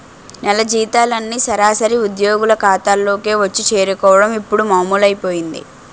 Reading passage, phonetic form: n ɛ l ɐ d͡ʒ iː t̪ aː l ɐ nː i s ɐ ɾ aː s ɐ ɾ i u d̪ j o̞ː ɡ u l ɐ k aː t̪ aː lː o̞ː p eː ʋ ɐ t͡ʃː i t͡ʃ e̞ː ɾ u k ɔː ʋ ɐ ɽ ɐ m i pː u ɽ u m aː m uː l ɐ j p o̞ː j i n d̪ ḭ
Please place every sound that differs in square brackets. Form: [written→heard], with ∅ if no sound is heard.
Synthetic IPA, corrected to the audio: n ɛ l ɐ d͡ʒ iː t̪ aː l ɐ nː i s ɐ ɾ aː s ɐ ɾ i u d̪ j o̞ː ɡ u l ɐ k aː t̪ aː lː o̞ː [p→k] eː ʋ ɐ t͡ʃː i t͡ʃ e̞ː ɾ u k ɔː ʋ ɐ ɽ ɐ m i pː u ɽ u m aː m uː l ɐ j p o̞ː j i n d̪ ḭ